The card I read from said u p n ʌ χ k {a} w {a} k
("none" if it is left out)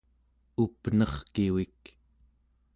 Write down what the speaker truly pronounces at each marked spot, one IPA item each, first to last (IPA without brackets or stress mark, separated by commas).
i, i